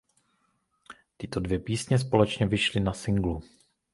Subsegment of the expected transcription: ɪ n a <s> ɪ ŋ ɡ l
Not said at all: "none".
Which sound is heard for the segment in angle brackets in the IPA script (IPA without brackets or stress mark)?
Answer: s